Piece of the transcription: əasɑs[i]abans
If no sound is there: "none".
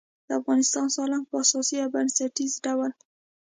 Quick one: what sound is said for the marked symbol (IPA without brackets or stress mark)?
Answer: i